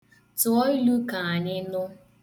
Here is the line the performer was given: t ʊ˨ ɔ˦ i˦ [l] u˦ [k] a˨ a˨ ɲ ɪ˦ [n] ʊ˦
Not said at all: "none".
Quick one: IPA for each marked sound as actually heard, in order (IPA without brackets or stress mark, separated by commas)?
l, k, n